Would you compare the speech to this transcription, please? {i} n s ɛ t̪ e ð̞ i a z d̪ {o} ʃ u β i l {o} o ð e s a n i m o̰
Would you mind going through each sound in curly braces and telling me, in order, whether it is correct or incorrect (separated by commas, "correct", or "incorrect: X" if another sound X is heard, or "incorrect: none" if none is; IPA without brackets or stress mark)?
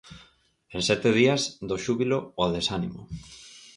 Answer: incorrect: e, correct, correct